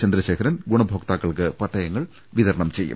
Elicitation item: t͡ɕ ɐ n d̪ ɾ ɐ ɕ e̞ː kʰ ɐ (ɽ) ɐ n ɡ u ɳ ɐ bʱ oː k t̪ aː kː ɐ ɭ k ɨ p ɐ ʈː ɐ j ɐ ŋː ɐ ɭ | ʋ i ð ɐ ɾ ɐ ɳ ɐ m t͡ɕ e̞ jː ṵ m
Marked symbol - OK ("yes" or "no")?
no